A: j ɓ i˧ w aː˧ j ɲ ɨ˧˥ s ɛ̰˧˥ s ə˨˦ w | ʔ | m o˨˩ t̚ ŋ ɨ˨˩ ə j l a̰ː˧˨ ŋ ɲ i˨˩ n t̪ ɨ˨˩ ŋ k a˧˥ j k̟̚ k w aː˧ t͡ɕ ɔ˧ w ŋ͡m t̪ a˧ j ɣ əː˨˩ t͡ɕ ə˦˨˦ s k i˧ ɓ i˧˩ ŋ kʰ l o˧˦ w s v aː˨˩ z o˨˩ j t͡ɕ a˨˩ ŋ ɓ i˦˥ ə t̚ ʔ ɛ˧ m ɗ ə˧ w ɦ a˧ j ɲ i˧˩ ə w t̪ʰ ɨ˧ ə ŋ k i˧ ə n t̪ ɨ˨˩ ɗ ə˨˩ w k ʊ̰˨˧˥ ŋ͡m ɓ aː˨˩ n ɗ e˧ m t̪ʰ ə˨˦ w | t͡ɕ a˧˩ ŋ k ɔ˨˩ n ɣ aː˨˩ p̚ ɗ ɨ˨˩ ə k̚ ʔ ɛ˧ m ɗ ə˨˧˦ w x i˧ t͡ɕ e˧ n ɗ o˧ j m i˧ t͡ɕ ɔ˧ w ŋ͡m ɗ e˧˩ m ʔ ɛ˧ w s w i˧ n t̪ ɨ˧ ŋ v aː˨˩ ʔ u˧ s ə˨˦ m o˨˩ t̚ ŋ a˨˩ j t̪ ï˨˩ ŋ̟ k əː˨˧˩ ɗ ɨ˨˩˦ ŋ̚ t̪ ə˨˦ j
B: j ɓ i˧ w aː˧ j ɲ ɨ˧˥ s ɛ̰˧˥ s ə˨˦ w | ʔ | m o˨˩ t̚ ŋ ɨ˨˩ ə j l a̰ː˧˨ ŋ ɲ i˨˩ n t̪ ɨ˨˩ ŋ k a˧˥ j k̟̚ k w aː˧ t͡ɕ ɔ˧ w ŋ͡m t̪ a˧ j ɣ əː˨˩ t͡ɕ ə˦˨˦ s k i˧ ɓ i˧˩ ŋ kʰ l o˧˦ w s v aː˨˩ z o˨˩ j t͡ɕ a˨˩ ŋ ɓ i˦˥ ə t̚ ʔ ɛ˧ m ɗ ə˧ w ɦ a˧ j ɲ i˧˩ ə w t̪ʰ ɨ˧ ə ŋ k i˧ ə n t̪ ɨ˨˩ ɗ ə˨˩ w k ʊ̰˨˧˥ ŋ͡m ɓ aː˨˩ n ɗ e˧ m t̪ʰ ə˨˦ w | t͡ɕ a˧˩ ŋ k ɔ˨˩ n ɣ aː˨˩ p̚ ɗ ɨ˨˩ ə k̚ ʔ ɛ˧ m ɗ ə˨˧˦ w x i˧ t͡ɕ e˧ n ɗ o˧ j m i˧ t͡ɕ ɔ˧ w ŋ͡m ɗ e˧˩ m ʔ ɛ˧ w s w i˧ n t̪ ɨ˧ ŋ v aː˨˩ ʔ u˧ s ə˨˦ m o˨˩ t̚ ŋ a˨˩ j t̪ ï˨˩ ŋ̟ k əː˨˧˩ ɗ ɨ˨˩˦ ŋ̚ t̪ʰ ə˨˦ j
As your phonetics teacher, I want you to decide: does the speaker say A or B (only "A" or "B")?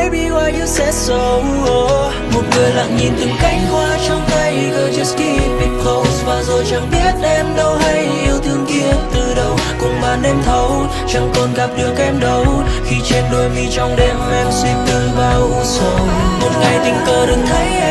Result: B